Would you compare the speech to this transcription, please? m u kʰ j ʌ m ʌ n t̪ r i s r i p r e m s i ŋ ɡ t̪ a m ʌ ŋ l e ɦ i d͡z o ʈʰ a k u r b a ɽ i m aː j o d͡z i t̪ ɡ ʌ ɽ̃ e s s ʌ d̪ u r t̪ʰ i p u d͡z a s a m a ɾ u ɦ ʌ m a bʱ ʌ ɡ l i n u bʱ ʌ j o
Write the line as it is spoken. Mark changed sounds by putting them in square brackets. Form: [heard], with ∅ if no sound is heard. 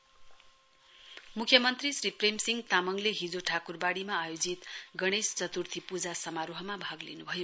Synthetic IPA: m u kʰ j ʌ m ʌ n t̪ r i s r i p r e m s i ŋ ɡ t̪ a m ʌ ŋ l e ɦ i d͡z o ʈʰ a k u r b a ɽ i m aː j o d͡z i t̪ ɡ ʌ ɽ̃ e s [t͡s] ʌ [t̪] u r t̪ʰ i p u d͡z a s [ʌ] m a ɾ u ɦ ʌ m a bʱ ʌ ɡ l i n u bʱ ʌ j o

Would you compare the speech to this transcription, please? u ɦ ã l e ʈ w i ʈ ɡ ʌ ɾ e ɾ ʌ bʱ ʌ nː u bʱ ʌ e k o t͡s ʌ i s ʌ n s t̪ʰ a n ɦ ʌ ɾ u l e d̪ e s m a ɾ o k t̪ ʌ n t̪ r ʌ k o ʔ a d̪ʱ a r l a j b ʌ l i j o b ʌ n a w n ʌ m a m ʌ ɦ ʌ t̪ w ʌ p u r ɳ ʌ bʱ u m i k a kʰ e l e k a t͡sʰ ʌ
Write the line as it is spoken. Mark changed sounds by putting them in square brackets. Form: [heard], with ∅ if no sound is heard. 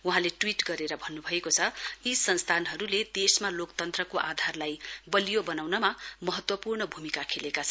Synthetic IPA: u ɦ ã l e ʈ w i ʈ ɡ ʌ ɾ e ɾ ʌ bʱ ʌ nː u bʱ ʌ e k o [t͡sʰ] ʌ i s ʌ n s t̪ʰ a n ɦ ʌ ɾ u l e d̪ e s m a [l] o k t̪ ʌ n t̪ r ʌ k o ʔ a d̪ʱ a r l a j b ʌ l i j o b ʌ n a w n ʌ m a m ʌ ɦ ʌ t̪ w ʌ p u r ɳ ʌ bʱ u m i k a kʰ e l e k a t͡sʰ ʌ

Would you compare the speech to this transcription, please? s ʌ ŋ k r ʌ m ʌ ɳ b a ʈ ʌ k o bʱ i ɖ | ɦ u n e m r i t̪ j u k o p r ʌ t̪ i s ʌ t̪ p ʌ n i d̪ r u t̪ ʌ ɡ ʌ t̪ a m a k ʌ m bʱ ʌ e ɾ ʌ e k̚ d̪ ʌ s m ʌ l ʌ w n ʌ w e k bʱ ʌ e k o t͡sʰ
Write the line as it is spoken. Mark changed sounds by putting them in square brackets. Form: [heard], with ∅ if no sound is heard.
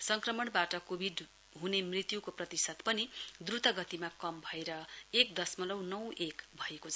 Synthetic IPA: s ʌ ŋ k r ʌ m ʌ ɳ b a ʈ ʌ k o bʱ i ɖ | ɦ u n e m r i t̪ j u k o p r ʌ t̪ i s ʌ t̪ p ʌ n i d̪ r u t̪ ʌ ɡ ʌ t̪ [i] m a k ʌ m bʱ ʌ e ɾ ʌ e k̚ d̪ ʌ s m ʌ l ʌ w n ʌ w e k bʱ ʌ e k o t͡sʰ

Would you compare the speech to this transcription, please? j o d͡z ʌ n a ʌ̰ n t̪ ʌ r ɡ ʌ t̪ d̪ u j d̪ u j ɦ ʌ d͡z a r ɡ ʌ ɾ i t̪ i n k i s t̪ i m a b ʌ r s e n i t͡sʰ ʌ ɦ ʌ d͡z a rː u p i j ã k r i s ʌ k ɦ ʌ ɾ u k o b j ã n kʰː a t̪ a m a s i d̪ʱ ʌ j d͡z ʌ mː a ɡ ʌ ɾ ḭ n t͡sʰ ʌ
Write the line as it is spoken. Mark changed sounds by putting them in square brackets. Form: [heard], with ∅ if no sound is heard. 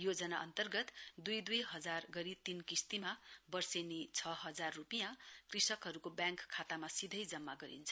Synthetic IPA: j o d͡z ʌ n a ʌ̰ n t̪ ʌ r ɡ ʌ t̪ d̪ u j d̪ u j ɦ ʌ d͡z a r ɡ ʌ ɾ i t̪ i n k i s t̪ i m a b ʌ r s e n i t͡sʰ ʌ ɦ ʌ d͡z a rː u p i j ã k r i s ʌ k ɦ ʌ ɾ u k o b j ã [ŋ] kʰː a t̪ a m a s i d̪ʱ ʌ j d͡z ʌ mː a ɡ ʌ ɾ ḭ n t͡sʰ ʌ

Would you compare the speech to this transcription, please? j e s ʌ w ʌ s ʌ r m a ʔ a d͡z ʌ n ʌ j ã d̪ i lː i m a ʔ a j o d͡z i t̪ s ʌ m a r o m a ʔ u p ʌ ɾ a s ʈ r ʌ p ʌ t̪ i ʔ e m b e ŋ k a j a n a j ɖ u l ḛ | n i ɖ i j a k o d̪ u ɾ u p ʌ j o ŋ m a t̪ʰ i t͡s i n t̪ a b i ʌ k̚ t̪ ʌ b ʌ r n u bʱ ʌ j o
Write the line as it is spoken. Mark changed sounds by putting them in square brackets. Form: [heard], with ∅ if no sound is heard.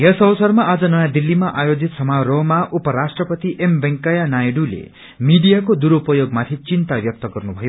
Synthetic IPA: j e s ʌ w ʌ s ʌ r m a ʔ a d͡z ʌ n ʌ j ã d̪ i lː i m a ʔ a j o d͡z i t̪ s ʌ m a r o m a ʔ u p ʌ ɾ a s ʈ r ʌ p ʌ t̪ i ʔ e m b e ŋ k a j a n a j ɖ u l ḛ | [m] i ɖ i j a k o d̪ u ɾ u p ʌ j o [ɡ] m a t̪ʰ i t͡s i n t̪ a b [j] ʌ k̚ t̪ ʌ [ɡ] ʌ r n u bʱ ʌ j o

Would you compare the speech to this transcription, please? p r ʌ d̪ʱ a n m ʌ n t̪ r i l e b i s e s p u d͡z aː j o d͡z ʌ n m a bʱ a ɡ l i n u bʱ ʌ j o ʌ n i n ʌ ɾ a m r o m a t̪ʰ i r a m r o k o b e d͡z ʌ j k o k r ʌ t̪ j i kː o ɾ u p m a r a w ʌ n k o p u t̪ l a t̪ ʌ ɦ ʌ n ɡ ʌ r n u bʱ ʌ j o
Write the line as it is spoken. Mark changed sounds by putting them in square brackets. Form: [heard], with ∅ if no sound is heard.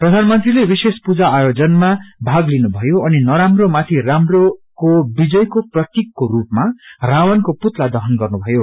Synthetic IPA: p r ʌ d̪ʱ a n m ʌ n t̪ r i l e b i s e s p u d͡z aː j o d͡z ʌ n m a bʱ a ɡ l i n u bʱ ʌ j o ʌ n i n ʌ ɾ a m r o m a t̪ʰ i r a m r o k o b [i] d͡z ʌ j k o [p] r ʌ t̪ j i kː o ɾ u p m a r a w ʌ n k o p u t̪ l a [d̪] ʌ ɦ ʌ n ɡ ʌ r n u bʱ ʌ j o

